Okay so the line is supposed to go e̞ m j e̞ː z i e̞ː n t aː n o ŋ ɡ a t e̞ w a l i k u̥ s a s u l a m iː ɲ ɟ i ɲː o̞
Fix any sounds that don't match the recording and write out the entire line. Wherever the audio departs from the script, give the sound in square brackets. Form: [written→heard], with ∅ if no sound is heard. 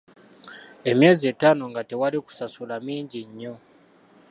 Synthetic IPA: e̞ m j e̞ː z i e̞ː [n→∅] t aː n o ŋ ɡ a t e̞ w a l i k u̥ s a s u l a m iː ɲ ɟ i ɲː o̞